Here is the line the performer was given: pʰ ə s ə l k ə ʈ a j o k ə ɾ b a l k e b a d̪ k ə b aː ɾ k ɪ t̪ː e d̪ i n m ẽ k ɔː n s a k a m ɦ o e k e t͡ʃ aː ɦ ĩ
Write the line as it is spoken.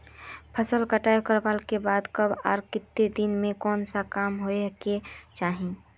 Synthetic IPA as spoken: pʰ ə s ə l k ə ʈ a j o k ə ɾ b a l k e b a d̪ k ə b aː ɾ k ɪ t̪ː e d̪ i n m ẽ k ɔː n s a k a m ɦ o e k e t͡ʃ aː ɦ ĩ